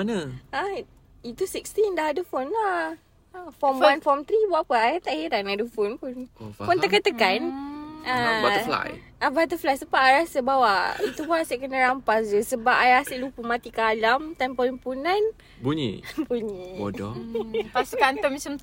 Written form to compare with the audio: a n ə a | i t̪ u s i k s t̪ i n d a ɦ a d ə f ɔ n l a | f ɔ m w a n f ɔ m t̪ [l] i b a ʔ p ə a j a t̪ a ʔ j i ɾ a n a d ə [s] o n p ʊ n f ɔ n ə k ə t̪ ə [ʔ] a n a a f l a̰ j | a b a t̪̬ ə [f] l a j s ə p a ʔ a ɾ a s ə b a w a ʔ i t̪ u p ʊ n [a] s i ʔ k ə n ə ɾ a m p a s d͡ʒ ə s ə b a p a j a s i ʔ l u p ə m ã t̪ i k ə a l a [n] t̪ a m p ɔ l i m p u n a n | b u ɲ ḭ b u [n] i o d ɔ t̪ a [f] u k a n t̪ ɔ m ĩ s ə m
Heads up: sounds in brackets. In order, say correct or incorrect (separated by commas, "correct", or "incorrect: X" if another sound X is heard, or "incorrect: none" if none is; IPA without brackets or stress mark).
incorrect: ɾ, incorrect: f, incorrect: k, correct, correct, incorrect: m, incorrect: ɲ, incorrect: s